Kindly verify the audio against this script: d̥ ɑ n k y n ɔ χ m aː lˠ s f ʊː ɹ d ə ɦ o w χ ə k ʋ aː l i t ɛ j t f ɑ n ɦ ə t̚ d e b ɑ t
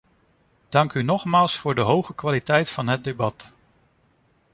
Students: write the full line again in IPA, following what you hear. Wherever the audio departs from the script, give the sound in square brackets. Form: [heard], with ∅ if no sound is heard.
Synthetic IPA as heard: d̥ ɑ [ŋ] k y n ɔ χ m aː lˠ s f ʊː ɹ d ə ɦ o w χ ə k ʋ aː l i t ɛ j t f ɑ n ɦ ə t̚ d e b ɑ t